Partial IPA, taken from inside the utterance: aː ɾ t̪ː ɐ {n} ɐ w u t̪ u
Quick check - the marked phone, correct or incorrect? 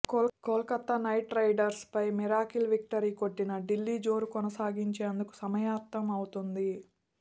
incorrect